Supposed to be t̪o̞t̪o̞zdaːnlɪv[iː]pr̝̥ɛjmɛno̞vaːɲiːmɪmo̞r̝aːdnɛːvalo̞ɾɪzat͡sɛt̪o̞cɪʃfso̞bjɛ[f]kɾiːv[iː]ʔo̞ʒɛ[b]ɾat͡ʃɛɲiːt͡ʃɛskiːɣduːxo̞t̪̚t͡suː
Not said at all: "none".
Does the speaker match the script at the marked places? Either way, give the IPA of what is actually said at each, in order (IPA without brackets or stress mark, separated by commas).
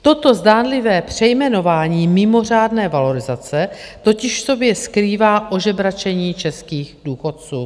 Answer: ɛː, s, aː, b